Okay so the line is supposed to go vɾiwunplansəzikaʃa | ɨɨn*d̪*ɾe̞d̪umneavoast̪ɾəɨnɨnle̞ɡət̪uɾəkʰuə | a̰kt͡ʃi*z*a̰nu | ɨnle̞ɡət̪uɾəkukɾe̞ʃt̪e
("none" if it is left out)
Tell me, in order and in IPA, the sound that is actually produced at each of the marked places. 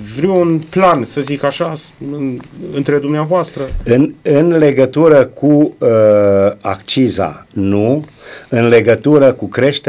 t̪, z

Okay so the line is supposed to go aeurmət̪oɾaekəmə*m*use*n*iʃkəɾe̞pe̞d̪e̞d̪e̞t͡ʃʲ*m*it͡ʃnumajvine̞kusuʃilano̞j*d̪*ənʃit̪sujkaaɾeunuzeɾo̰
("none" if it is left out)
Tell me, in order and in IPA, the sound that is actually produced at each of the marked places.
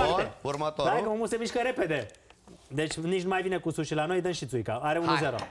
m, m, n, d̪

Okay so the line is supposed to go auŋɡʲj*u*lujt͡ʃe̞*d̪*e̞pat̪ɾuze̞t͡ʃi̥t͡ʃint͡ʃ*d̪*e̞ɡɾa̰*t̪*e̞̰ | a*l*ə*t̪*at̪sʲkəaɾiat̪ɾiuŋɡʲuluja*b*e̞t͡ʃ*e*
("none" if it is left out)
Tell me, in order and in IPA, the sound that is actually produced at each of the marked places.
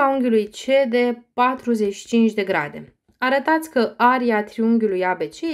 u, d̪, d̪, d̪, ɾ, t̪, b, e

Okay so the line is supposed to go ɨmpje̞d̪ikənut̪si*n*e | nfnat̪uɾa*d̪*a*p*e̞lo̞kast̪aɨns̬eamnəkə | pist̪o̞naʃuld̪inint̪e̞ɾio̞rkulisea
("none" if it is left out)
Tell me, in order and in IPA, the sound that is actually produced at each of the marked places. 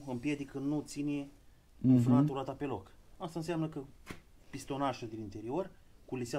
n, t̪, p

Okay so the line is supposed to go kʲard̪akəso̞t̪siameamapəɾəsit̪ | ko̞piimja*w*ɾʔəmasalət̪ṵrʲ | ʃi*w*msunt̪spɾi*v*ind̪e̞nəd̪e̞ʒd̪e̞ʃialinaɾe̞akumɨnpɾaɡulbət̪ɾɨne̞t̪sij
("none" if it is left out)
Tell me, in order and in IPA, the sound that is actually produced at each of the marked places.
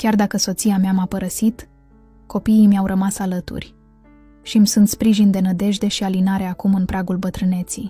w, none, ʒ

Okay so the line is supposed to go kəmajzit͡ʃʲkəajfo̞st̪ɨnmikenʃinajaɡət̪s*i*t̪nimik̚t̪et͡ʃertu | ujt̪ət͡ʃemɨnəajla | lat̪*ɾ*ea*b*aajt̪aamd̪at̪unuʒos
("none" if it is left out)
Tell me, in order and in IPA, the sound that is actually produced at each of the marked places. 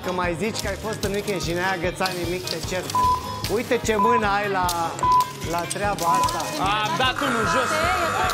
a, ɾ, b

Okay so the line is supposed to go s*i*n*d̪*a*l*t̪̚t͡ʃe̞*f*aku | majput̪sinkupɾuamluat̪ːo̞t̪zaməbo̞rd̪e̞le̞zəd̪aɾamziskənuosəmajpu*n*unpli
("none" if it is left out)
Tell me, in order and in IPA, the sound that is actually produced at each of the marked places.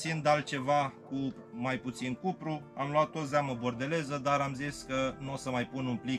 i, d̪, l, v, n

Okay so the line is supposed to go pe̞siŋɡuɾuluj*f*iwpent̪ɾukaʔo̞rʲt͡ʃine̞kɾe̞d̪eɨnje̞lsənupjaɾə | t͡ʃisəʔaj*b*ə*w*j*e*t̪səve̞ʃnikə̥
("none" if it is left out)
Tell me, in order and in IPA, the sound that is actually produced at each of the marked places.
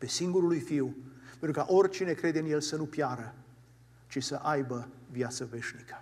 f, b, v, a

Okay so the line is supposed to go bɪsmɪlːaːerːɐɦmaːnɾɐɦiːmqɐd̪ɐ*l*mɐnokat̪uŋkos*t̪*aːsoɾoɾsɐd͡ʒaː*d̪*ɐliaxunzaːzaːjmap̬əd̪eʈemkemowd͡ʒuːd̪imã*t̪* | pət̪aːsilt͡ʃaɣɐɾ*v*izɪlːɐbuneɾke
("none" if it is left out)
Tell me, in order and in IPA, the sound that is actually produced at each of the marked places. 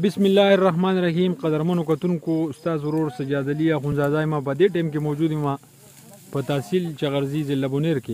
ɾ, t̪, d̪, none, z

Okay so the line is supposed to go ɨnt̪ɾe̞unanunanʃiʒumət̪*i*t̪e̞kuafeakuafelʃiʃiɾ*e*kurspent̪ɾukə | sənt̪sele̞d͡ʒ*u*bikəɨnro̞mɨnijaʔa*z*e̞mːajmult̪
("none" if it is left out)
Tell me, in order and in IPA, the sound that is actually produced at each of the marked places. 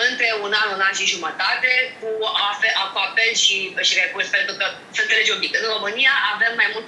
a, e, o, v

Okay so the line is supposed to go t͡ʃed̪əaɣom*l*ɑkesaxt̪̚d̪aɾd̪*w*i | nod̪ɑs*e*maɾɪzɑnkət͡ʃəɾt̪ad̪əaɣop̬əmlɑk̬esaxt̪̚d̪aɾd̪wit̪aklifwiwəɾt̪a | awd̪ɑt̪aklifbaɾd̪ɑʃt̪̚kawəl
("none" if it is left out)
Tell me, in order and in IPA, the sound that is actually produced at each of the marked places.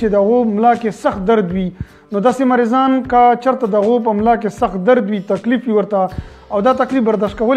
l, w, e

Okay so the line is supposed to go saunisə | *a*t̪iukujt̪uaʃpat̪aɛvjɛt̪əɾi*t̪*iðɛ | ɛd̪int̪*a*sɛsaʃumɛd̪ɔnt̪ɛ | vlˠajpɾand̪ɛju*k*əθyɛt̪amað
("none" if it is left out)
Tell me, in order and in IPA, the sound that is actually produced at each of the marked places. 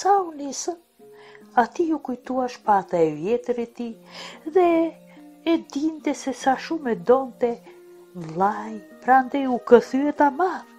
a, t̪, ɛ, k

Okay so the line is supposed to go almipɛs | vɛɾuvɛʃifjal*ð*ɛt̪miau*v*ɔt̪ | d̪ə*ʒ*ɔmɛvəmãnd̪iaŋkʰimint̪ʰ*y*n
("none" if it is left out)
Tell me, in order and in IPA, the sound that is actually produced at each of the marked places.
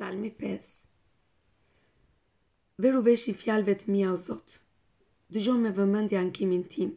v, z, ʒ, i

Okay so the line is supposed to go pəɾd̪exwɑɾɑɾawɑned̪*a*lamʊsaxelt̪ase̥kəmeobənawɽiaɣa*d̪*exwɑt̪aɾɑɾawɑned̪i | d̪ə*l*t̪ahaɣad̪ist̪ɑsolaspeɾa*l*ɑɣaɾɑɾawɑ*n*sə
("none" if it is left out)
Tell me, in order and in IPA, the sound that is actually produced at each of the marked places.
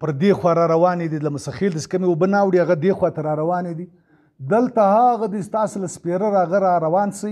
i, d̪, l, ɾ, n

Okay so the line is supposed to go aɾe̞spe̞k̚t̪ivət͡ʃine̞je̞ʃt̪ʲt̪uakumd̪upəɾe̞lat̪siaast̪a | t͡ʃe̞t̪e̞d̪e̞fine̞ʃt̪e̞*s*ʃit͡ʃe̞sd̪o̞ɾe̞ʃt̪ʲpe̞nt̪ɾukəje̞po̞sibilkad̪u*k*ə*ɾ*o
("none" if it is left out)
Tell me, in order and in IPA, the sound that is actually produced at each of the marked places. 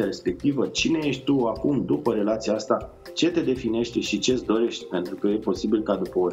none, p, none

